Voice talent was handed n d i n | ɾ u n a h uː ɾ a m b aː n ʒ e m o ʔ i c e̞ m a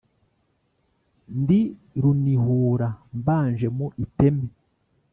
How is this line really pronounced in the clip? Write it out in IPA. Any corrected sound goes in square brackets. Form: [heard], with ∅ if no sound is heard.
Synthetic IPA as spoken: n d i [∅] | ɾ u n [i] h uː ɾ a m b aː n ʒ e m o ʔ i [t] e̞ m [e]